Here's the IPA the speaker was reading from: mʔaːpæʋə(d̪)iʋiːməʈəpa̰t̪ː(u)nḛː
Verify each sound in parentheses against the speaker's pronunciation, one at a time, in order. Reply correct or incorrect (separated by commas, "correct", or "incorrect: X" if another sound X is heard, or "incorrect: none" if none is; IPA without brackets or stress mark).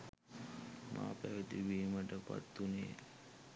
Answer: incorrect: t̪, correct